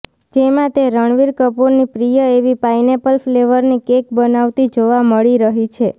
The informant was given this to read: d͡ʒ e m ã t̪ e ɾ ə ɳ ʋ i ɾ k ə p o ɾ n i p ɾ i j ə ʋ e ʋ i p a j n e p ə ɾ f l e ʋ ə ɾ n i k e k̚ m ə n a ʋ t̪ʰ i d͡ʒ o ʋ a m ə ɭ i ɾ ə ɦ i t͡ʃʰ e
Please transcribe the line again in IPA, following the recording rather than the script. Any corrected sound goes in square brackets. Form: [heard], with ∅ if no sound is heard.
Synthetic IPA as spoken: d͡ʒ e m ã t̪ e ɾ ə ɳ ʋ i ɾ k ə p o ɾ n i p ɾ i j ə [∅] e ʋ i p a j n e p ə [l] f l e ʋ ə ɾ n i k e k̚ [b] ə n a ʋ [t̪] i d͡ʒ o ʋ a m ə ɭ i ɾ ə ɦ i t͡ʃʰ e